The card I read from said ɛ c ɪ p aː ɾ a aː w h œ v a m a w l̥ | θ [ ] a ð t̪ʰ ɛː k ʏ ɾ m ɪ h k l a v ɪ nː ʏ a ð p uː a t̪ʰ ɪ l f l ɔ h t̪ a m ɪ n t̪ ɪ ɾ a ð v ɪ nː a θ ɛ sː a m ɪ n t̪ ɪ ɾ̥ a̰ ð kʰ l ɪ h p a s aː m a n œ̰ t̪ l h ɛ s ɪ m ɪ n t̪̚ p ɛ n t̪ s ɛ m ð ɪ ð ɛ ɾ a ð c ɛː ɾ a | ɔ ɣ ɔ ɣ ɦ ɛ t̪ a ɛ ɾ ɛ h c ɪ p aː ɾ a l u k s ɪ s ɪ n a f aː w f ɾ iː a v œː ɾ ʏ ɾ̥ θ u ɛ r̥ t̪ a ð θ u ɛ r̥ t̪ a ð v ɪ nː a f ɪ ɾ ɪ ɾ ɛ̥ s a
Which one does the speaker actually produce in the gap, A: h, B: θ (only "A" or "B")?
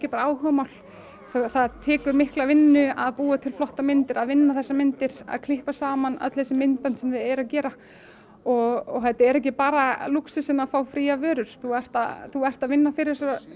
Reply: B